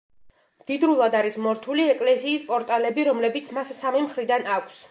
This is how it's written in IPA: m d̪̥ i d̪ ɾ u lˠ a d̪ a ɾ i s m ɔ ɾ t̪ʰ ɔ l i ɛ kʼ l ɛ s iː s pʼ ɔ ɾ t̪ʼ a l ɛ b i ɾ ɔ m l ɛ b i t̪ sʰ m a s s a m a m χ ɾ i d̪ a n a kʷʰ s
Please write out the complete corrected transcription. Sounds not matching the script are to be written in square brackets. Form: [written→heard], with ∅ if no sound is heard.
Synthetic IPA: m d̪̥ i d̪ ɾ u lˠ a d̪ a ɾ i s m ɔ ɾ t̪ʰ [ɔ→u] l i ɛ kʼ l ɛ s iː s pʼ ɔ ɾ t̪ʼ a l ɛ b i ɾ ɔ m l ɛ b i t̪ sʰ m a s s a m [a→i] m χ ɾ i d̪ a n a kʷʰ s